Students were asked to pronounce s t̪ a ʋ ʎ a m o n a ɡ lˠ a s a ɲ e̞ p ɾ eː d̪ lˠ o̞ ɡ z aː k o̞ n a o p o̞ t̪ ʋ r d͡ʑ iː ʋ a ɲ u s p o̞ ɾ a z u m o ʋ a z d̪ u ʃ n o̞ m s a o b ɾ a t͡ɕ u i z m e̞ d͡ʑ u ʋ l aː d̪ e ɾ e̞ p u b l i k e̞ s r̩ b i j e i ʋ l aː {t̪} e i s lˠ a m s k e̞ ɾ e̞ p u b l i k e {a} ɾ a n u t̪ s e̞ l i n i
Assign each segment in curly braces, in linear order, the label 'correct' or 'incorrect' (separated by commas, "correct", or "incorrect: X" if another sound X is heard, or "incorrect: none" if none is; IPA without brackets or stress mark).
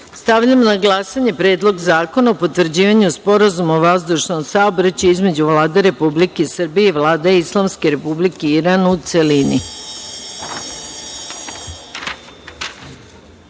incorrect: d̪, incorrect: i